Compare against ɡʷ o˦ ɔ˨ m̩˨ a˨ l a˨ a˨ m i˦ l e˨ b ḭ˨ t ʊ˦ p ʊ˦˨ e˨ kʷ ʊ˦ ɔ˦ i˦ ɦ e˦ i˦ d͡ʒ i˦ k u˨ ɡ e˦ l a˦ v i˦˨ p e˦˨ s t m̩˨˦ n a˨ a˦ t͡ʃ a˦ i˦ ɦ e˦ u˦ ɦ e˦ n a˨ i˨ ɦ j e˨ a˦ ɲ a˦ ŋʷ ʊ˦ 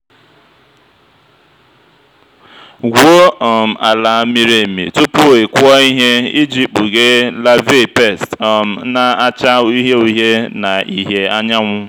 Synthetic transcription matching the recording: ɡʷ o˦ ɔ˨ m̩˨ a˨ l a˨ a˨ m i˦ ɾ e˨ m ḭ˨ t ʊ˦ p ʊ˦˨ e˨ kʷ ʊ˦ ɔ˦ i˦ ɦ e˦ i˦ d͡ʒ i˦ k͡p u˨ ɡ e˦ l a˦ v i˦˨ p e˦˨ s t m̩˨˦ n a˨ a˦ t͡ʃ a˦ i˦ ɦ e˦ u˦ ɦ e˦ n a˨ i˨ ɦ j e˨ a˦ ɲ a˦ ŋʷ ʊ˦